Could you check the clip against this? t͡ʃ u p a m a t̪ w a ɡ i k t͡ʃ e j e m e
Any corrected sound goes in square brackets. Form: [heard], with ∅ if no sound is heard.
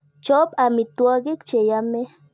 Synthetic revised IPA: t͡ʃ [o] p a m [i] t̪ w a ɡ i k t͡ʃ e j [a] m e